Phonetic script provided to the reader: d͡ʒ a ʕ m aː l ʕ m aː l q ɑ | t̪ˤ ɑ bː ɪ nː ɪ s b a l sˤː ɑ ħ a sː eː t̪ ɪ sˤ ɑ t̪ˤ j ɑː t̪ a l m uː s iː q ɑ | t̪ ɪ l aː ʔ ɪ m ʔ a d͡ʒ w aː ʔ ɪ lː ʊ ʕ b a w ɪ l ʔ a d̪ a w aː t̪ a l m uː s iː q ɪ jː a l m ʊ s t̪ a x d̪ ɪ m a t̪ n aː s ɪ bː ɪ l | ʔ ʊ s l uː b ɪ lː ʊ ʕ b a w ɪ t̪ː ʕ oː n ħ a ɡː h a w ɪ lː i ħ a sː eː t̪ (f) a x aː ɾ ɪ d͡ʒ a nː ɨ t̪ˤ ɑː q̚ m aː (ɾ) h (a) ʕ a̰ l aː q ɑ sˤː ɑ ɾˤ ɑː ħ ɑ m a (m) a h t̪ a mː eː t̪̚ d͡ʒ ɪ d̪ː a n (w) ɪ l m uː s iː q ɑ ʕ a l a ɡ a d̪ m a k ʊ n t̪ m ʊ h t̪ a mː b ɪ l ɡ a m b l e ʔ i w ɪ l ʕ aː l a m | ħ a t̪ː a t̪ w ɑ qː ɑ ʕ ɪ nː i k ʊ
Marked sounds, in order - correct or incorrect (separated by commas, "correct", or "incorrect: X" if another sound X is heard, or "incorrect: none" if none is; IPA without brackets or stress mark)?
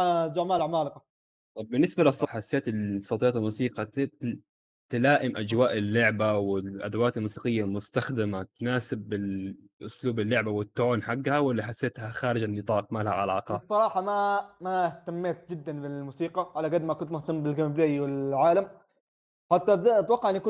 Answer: incorrect: h, incorrect: l, correct, correct, incorrect: b